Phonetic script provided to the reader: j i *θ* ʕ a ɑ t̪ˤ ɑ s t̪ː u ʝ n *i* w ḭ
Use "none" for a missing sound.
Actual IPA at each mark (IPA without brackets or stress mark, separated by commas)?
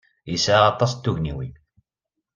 s, i